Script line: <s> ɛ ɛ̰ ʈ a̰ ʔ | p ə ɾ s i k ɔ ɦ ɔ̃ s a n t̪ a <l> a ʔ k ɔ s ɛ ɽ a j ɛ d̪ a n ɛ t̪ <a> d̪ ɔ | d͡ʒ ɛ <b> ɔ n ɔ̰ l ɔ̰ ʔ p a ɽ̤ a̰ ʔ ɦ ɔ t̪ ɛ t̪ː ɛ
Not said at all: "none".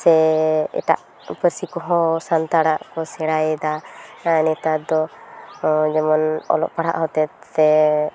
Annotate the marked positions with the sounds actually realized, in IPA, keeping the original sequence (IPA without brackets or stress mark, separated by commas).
s, ɽ, a, m